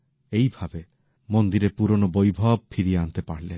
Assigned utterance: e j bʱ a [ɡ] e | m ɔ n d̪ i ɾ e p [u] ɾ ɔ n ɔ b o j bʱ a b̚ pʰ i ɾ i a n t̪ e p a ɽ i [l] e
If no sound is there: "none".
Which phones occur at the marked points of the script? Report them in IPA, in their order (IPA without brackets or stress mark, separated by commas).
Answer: b, u, l